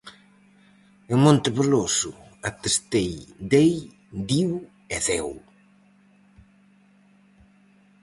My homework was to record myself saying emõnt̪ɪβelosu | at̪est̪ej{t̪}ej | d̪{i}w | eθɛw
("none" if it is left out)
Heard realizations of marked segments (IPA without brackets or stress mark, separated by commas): d̪, i